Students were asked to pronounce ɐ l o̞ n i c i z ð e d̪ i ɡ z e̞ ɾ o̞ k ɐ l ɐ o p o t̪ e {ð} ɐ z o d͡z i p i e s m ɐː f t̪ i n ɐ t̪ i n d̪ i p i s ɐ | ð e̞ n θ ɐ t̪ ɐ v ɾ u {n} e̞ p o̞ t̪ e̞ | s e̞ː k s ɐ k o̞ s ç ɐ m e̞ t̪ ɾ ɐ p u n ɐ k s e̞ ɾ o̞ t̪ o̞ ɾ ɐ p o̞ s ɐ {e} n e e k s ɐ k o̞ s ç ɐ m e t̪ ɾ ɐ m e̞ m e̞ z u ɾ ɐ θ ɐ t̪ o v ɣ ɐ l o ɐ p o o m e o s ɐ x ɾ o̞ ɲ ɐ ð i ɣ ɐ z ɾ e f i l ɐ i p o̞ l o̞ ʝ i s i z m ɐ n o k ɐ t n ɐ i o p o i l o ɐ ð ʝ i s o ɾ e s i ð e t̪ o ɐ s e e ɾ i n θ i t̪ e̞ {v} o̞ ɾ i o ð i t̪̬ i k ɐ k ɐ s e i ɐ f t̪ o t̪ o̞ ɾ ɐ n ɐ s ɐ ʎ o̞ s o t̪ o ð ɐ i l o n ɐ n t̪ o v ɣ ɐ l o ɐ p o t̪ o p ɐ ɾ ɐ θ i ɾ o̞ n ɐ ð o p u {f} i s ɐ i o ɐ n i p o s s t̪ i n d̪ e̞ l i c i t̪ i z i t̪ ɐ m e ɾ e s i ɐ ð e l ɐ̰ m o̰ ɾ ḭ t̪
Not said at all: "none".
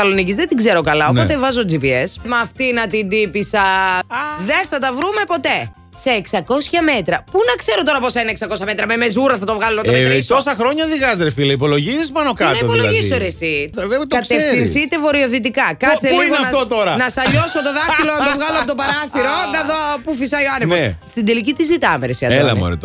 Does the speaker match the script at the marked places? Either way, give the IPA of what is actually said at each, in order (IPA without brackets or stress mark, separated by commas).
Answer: v, m, i, v, f